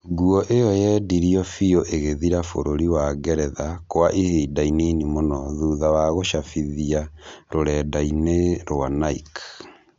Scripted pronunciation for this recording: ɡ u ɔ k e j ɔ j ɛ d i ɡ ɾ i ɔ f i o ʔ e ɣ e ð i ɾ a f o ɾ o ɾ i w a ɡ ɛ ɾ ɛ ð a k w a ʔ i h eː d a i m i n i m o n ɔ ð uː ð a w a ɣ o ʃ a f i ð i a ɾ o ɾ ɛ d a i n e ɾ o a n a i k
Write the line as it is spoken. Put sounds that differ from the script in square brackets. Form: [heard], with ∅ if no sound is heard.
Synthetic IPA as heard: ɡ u ɔ [ʔ] e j ɔ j ɛ d i [∅] ɾ i ɔ f i o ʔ e ɣ e ð i ɾ a f o ɾ o ɾ i w a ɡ ɛ ɾ ɛ ð a k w a ʔ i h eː d a i [n] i n i m o n ɔ ð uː ð a w a ɣ o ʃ a f i ð i a ɾ o ɾ ɛ d a i n e ɾ o a n a i k